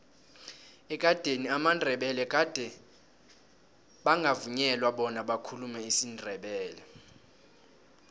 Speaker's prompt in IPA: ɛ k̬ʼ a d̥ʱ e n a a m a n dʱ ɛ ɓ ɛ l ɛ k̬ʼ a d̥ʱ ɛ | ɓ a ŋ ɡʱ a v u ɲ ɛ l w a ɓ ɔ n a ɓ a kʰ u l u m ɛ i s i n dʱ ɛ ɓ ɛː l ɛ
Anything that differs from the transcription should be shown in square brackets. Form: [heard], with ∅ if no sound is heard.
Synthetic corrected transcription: ɛ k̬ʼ a d̥ʱ e n [i] a m a n dʱ ɛ ɓ ɛ l ɛ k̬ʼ a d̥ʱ ɛ | ɓ a ŋ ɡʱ a v u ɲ ɛ l w a ɓ ɔ n a ɓ a kʰ u l u m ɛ i s i n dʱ ɛ ɓ ɛː l ɛ